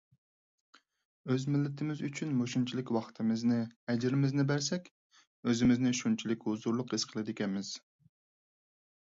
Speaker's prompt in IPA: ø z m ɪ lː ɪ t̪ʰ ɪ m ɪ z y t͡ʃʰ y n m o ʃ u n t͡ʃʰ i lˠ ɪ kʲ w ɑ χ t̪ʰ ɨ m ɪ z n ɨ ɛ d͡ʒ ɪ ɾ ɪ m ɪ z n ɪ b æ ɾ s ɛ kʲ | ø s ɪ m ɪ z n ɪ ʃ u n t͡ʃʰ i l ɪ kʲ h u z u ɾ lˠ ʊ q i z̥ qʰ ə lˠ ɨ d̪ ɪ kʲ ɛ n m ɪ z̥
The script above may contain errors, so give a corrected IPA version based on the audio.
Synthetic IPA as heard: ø z m ɪ lː ɪ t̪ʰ ɪ m ɪ z y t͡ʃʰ y n m o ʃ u n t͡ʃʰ i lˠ ɪ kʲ w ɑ χ t̪ʰ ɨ m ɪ z n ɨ ɛ d͡ʒ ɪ ɾ ɪ m ɪ z n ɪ b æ ɾ s ɛ kʲ | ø z ɪ m ɪ z n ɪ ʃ u n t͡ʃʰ i l ɪ kʲ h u z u ɾ lˠ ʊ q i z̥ qʰ ə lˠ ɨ d̪ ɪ kʲ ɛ n m ɪ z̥